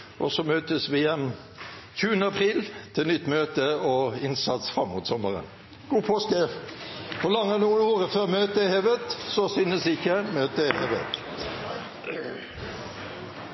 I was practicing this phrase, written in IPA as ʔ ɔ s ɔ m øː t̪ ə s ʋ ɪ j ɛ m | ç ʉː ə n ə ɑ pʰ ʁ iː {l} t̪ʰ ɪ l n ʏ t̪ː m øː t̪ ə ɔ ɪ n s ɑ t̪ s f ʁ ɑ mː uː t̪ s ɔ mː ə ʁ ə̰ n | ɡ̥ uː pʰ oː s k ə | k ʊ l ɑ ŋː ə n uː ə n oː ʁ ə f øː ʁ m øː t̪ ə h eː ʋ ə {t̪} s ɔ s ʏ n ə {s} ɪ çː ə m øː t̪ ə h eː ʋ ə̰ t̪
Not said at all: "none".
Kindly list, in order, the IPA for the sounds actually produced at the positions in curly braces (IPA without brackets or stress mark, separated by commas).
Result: l, t̪, s